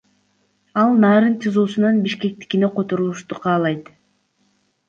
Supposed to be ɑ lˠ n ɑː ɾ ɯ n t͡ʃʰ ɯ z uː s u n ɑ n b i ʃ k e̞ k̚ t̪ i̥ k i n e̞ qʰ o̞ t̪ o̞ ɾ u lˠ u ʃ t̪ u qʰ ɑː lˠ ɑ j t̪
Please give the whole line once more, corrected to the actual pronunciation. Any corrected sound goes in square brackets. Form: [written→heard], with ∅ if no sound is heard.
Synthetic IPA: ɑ lˠ n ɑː ɾ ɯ n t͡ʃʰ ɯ z uː s u n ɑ n b i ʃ k e̞ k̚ t̪ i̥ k i n e̞ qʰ o̞ t̪ o̞ ɾ u lˠ u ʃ t̪ u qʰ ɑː lˠ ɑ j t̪